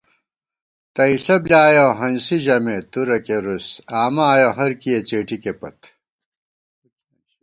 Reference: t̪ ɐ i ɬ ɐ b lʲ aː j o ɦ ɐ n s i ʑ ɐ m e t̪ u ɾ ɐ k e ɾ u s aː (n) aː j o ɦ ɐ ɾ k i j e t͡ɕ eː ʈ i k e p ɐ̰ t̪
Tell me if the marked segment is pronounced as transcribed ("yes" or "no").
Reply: no